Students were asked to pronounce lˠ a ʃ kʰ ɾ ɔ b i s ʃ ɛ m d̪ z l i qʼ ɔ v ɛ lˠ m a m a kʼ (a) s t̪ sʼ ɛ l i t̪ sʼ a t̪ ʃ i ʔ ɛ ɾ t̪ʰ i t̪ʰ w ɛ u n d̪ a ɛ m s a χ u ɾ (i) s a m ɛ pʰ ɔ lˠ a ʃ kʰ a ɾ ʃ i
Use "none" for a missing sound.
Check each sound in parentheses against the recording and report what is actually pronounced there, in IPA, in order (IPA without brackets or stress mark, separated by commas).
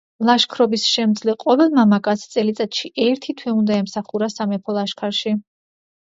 a, a